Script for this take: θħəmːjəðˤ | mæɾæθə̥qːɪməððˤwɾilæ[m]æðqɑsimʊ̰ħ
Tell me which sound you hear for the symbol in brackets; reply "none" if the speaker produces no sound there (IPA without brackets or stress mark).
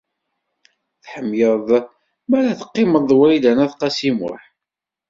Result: n